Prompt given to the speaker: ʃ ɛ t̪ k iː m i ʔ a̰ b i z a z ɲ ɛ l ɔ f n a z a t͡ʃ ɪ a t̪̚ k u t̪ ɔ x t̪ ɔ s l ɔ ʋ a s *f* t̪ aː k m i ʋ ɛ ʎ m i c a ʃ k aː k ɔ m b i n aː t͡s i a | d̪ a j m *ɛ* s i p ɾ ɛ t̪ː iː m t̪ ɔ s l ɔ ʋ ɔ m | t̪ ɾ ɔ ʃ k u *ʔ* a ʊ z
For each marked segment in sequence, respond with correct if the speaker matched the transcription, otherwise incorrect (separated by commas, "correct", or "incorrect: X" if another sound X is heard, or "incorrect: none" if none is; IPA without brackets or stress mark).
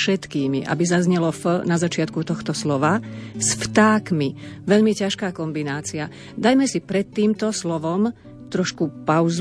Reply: correct, correct, incorrect: p